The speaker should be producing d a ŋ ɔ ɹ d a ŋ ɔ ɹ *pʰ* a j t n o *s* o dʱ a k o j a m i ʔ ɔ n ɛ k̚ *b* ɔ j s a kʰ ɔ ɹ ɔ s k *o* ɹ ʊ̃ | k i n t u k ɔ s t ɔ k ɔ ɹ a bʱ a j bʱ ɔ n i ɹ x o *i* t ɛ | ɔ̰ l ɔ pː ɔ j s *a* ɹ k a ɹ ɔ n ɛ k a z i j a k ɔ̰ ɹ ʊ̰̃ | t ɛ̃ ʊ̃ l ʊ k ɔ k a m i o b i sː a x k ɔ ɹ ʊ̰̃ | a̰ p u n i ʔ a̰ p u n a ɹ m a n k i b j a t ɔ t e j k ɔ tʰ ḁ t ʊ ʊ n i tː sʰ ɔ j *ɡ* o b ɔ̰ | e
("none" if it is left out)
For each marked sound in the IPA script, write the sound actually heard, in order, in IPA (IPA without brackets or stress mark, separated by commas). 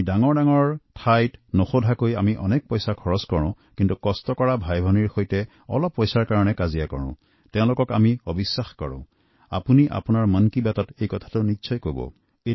tʰ, x, p, ɔ, j, a, k